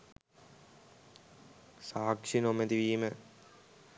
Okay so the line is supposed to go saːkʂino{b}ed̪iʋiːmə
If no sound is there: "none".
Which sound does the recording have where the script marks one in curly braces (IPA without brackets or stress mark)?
m